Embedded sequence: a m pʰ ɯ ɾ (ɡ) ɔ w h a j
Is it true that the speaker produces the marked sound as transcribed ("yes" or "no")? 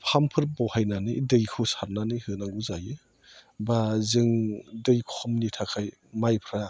no